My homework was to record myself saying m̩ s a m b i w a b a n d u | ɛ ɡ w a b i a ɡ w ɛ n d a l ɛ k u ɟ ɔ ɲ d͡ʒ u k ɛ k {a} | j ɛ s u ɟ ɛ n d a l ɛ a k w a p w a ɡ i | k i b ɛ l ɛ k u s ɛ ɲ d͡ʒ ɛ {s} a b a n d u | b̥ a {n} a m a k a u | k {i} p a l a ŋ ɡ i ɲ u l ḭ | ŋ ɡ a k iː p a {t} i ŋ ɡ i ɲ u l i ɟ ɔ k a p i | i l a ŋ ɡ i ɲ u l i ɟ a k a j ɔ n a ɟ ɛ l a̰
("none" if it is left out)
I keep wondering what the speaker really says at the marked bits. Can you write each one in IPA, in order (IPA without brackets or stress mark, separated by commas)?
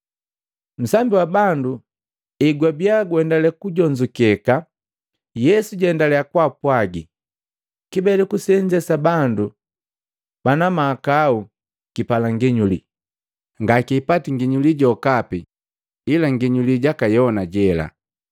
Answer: a, s, n, i, t